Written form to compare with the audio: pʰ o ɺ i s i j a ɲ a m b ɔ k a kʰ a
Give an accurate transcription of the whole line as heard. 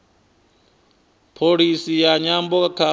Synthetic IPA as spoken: pʰ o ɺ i s i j a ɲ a m b ɔ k a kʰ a